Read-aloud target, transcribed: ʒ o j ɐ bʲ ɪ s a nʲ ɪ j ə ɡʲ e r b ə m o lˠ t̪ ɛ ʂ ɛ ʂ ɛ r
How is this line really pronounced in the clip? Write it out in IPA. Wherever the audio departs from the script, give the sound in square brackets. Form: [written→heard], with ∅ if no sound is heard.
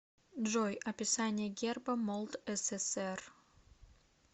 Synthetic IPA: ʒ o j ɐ [bʲ→pʲ] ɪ s a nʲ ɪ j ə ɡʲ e r b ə m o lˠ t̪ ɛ [ʂ→s] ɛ [ʂ→s] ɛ r